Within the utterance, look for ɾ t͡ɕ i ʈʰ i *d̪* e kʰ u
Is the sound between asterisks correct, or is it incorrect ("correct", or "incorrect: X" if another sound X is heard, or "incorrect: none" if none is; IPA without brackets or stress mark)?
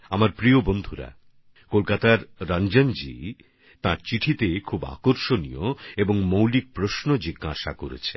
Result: incorrect: t̪